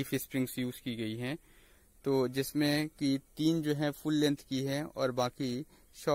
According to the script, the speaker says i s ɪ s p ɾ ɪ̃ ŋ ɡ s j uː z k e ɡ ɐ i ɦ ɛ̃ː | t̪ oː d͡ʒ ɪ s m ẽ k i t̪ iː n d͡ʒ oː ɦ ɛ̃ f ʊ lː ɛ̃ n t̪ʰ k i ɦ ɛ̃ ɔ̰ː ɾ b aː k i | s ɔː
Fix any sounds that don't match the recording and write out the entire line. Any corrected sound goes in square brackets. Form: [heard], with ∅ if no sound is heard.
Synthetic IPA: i [f] ɪ s p ɾ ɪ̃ ŋ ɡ s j uː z k [i] ɡ ɐ i ɦ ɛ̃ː | t̪ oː d͡ʒ ɪ s m ẽ k i t̪ iː n d͡ʒ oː ɦ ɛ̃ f ʊ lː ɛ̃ n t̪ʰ k i ɦ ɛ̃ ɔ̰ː ɾ b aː k i | [ʃ] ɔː

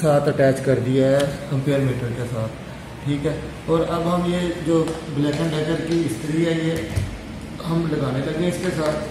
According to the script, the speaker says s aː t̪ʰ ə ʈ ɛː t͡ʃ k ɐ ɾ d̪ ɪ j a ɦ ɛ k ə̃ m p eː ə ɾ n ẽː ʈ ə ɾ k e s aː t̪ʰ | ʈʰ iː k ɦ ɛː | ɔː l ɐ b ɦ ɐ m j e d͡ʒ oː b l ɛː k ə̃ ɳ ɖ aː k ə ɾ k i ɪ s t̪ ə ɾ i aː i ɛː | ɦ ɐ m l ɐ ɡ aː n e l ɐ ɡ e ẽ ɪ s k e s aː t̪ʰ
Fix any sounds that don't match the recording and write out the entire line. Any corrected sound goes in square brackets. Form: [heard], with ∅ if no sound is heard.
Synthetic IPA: s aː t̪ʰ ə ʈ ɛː t͡ʃ k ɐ ɾ d̪ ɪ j a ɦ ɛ k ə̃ m p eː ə ɾ [m] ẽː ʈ ə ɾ k e s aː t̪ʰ | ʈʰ iː k ɦ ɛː | ɔː [ɾ] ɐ b ɦ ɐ m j e d͡ʒ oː b l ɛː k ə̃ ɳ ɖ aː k ə ɾ k i ɪ s t̪ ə ɾ i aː i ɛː | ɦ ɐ m l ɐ ɡ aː n e l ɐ ɡ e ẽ ɪ s k e s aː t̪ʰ

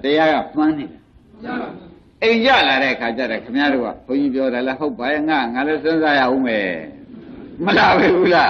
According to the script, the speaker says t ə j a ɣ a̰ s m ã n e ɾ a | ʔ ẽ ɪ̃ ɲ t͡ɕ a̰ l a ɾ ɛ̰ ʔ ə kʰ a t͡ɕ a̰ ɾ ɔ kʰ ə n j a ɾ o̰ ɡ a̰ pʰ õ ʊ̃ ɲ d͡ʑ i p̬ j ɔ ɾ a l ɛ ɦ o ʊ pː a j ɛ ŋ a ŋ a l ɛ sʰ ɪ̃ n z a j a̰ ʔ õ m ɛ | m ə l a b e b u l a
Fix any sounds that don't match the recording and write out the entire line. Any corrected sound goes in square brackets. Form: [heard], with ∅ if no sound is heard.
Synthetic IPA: t ə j a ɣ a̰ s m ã n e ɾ a | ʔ ẽ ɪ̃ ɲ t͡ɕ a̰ l a ɾ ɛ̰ ʔ ə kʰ a t͡ɕ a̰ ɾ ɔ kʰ ə [m] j a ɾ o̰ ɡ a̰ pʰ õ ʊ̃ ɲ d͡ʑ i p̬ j ɔ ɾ a l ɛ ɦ o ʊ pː a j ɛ ŋ a ŋ a l ɛ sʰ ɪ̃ n z a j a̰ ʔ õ m ɛ | m ə l a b e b u l a

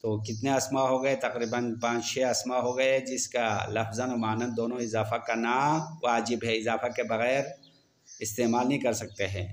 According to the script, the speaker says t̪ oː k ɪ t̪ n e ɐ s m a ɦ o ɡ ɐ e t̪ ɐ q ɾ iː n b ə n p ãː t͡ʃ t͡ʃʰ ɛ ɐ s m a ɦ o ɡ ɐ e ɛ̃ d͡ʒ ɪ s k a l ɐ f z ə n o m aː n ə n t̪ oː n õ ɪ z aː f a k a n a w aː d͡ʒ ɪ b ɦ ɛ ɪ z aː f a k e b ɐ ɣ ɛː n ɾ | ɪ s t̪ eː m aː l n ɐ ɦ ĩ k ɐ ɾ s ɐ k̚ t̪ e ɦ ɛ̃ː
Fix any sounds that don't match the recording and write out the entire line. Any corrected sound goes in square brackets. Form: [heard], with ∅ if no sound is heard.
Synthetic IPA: t̪ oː k ɪ t̪ n e ɐ s m a ɦ o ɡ ɐ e t̪ ɐ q ɾ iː [∅] b ə n p ãː t͡ʃ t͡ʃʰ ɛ ɐ s m a ɦ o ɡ ɐ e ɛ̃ d͡ʒ ɪ s k a l ɐ f z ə n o m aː n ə n [d̪] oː n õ ɪ z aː f a k a n a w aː d͡ʒ ɪ b ɦ ɛ ɪ z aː f a k e b ɐ ɣ ɛː [∅] ɾ | ɪ s t̪ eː m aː l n ɐ ɦ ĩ k ɐ ɾ s ɐ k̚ t̪ e ɦ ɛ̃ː

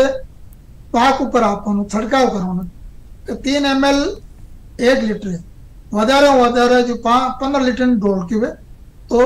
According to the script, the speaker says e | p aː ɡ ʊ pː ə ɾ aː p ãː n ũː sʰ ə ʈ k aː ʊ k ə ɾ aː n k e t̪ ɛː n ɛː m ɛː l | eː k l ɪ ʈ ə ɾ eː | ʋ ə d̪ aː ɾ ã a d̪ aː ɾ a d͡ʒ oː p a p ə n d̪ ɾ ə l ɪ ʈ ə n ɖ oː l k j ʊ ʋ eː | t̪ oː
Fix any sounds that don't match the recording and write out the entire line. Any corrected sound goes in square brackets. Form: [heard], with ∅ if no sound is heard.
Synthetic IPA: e | p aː [k] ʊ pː ə ɾ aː p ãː n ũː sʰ ə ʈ k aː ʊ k ə ɾ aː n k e t̪ [iː] n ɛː m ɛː l | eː k l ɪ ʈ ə ɾ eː | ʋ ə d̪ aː ɾ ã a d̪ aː ɾ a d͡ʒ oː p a p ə n d̪ ɾ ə l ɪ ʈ ə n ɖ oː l k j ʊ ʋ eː | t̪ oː

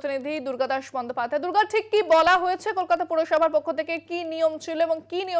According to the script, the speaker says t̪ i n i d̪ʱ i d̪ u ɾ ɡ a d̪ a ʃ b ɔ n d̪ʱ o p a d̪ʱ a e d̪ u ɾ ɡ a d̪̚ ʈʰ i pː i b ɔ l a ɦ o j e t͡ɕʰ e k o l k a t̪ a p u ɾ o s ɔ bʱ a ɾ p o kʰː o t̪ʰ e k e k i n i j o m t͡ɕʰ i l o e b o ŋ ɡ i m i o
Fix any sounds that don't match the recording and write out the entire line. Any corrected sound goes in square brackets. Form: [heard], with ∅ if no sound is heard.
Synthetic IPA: t̪ i n i d̪ʱ i d̪ u ɾ ɡ a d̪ a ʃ b ɔ n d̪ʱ o p a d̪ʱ a e d̪ u ɾ ɡ a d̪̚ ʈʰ i [kː] i b ɔ l a ɦ o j e t͡ɕʰ e k o l k a t̪ a p u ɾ o [ʃ] ɔ bʱ a ɾ p o kʰː o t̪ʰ e k e k i n i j o m t͡ɕʰ i l o e b o ŋ [k] i [n] i o

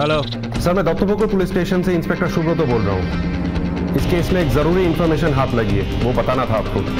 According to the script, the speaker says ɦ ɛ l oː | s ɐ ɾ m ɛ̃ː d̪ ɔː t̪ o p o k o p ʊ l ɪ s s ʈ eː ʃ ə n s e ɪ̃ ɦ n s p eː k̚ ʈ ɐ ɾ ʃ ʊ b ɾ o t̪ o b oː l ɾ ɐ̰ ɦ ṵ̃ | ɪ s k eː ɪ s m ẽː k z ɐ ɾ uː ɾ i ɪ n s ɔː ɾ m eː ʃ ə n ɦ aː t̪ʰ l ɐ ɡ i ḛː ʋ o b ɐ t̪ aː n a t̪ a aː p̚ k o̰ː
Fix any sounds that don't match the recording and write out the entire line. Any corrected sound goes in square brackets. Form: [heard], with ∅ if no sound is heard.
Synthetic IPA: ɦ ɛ l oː | s ɐ ɾ m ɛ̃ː d̪ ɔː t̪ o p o k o p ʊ l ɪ s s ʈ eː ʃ ə n s e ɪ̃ [∅] n s p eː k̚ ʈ [ə] ɾ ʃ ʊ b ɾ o t̪ o b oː l ɾ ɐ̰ ɦ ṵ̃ | ɪ s k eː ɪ s m ẽː k z ɐ ɾ uː ɾ i ɪ n [f] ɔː ɾ m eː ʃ ə n ɦ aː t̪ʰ l ɐ ɡ i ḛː ʋ o b ɐ t̪ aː n a [t̪ʰ] a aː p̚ k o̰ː

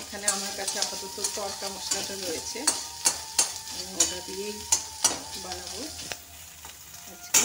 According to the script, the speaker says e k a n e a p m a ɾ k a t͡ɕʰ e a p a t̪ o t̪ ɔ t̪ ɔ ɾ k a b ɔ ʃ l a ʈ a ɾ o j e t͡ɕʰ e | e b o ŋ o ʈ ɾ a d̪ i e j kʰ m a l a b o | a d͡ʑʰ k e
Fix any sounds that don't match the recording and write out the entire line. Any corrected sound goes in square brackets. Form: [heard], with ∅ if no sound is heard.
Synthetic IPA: e [kʰ] a n e a [∅] m a ɾ k a t͡ɕʰ e a p a t̪ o t̪ [o] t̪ ɔ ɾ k a [m] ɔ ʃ l a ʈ a ɾ o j e t͡ɕʰ e | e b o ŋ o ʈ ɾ a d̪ i e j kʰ [b] a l a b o | a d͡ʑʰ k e

